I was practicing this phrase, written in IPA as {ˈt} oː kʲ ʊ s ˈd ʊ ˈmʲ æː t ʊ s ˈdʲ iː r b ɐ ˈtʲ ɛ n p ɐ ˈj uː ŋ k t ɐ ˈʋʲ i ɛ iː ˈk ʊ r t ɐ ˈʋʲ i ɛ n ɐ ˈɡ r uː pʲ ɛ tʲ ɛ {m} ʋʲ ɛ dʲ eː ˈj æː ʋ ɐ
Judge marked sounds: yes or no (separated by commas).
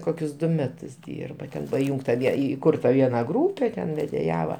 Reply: no, no